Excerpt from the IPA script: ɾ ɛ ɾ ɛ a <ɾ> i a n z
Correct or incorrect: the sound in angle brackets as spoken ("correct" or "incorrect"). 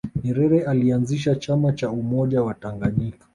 incorrect